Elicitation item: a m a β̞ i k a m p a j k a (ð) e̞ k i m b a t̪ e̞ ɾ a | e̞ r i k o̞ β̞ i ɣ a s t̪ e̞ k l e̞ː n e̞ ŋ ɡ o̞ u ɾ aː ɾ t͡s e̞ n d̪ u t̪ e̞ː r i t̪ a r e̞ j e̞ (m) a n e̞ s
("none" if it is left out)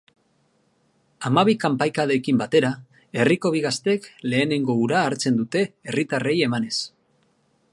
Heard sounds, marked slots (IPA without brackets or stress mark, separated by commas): ð, m